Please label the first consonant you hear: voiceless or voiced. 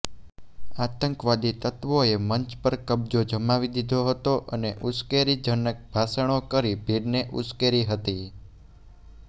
voiceless